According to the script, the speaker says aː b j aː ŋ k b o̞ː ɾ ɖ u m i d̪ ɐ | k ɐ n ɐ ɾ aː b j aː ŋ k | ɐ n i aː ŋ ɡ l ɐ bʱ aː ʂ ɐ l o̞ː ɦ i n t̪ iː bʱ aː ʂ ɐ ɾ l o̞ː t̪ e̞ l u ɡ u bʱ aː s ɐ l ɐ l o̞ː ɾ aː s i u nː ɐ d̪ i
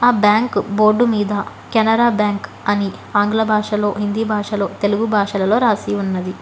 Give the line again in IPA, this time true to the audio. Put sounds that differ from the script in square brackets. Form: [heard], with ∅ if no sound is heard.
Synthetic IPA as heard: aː b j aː ŋ k b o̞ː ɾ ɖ u m [iː] d̪ ɐ | k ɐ n ɐ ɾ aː b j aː ŋ k | ɐ n i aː ŋ ɡ l ɐ bʱ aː ʂ ɐ l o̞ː ɦ i n [d̪] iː bʱ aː ʂ ɐ [∅] l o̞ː t̪ e̞ l u ɡ u bʱ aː [ʂ] ɐ l ɐ l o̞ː ɾ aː s i u nː ɐ d̪ i